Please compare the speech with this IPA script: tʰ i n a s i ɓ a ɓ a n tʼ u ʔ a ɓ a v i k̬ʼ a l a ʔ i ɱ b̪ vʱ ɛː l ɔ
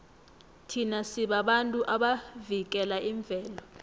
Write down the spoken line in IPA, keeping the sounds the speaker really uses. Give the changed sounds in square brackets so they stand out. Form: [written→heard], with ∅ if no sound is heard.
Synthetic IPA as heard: tʰ i n a s i ɓ a ɓ a n tʼ u ʔ a ɓ a v i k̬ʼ [a→ɛ] l a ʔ i ɱ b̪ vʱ ɛː l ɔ